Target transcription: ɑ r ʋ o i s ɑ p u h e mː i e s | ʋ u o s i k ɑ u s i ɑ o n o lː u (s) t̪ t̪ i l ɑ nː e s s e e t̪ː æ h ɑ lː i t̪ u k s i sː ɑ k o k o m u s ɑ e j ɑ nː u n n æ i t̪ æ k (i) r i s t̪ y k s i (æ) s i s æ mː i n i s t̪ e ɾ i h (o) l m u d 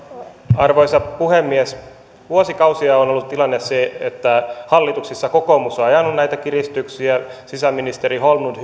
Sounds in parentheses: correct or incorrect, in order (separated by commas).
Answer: incorrect, correct, correct, correct